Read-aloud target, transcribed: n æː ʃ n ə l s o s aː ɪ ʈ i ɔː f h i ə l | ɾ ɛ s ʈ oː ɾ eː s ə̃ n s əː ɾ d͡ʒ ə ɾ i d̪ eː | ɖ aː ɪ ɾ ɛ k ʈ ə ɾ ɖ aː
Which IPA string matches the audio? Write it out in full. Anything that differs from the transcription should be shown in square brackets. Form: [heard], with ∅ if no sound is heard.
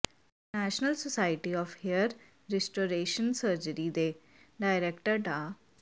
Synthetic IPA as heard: n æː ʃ n ə l s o s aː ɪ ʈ i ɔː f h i ə [ɾ] | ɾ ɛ s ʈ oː ɾ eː [ʃ] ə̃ n s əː ɾ d͡ʒ ə ɾ i d̪ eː | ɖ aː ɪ ɾ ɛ k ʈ ə ɾ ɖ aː